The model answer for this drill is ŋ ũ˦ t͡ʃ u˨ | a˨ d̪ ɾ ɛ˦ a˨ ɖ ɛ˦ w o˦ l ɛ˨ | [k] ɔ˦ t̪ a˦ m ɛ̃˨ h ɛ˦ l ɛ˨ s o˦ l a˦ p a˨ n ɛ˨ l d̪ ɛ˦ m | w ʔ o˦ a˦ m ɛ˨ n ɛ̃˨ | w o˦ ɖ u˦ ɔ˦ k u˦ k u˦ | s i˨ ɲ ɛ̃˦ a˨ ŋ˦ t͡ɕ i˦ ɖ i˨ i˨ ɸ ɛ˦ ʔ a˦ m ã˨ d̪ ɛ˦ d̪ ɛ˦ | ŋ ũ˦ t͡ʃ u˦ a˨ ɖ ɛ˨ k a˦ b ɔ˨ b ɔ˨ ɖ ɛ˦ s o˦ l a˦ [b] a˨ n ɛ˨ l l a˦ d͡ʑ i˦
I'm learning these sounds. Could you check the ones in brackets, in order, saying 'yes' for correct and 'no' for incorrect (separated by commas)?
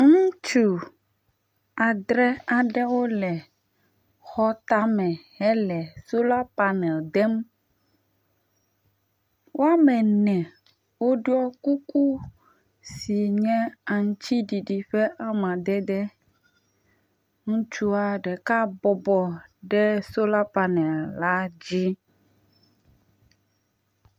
no, no